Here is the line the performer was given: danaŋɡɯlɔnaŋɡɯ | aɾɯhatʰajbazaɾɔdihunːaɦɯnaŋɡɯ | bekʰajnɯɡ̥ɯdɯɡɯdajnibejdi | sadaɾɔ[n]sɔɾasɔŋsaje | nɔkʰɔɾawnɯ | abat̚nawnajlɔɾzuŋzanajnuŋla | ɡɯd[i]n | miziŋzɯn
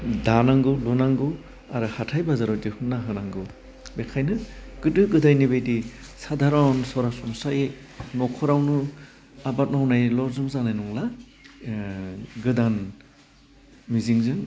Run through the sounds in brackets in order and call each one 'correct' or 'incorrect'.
correct, incorrect: a

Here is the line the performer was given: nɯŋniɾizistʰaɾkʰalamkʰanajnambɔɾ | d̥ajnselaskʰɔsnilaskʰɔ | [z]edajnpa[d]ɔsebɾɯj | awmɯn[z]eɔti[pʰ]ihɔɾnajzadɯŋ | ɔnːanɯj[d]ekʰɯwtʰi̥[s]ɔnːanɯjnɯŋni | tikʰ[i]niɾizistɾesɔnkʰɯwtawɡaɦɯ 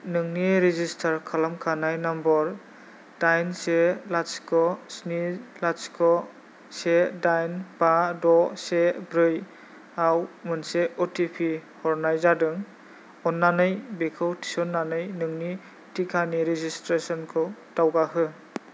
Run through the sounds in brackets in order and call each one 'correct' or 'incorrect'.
incorrect: s, correct, incorrect: s, correct, incorrect: b, correct, incorrect: a

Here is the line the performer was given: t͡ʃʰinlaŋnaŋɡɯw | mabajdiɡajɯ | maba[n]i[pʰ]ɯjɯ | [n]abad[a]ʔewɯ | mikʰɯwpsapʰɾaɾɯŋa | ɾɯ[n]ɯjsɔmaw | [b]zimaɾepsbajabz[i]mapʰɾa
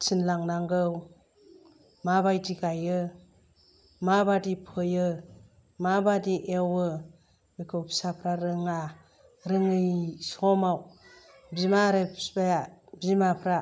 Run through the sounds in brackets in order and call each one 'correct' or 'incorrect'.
incorrect: d, correct, incorrect: m, incorrect: i, incorrect: ŋ, correct, correct

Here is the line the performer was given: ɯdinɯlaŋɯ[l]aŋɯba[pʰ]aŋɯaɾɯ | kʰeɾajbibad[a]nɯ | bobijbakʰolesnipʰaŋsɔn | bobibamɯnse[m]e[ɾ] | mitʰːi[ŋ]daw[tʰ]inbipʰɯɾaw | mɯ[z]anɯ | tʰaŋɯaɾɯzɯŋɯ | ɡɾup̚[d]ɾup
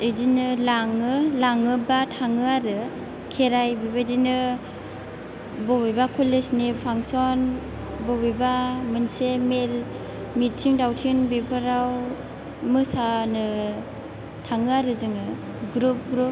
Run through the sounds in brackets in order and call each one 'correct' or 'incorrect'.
correct, incorrect: tʰ, incorrect: i, correct, incorrect: l, correct, correct, incorrect: s, incorrect: ɡ

